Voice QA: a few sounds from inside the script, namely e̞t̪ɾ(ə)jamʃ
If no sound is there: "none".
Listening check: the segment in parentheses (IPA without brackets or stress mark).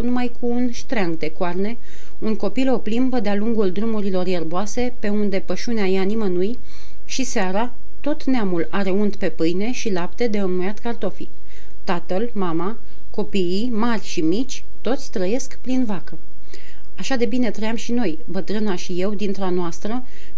ə